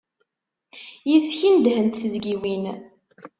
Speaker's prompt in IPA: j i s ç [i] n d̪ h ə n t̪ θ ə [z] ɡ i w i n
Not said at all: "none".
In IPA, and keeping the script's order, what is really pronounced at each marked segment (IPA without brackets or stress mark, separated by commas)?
i, z